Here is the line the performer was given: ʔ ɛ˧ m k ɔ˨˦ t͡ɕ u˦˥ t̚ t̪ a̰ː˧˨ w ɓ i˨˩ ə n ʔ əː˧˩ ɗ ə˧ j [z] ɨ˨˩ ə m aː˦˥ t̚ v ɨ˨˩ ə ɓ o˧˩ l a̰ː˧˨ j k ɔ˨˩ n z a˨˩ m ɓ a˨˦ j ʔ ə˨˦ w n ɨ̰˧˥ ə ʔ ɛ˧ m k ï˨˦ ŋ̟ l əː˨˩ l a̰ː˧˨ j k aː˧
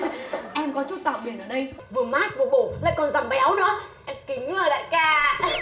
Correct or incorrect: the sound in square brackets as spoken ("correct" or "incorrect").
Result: incorrect